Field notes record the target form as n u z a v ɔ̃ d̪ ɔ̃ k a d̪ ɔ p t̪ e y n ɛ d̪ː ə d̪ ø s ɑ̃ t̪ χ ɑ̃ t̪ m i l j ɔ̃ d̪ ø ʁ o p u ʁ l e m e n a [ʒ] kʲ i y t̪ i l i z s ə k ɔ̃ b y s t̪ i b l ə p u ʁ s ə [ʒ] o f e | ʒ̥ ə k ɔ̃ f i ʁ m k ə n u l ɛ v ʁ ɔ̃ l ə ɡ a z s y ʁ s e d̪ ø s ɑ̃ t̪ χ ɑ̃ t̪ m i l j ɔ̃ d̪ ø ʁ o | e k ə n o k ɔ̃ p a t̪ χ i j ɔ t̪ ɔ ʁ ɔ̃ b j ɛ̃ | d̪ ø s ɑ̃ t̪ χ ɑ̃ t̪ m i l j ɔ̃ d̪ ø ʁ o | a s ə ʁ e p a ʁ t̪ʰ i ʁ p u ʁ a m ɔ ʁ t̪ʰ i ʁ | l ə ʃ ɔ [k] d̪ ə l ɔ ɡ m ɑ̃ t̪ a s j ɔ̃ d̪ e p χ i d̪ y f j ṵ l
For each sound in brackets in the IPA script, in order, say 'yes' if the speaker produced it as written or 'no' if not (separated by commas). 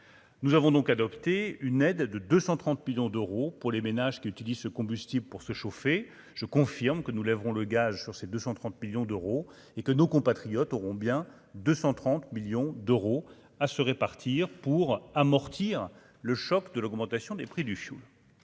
yes, no, yes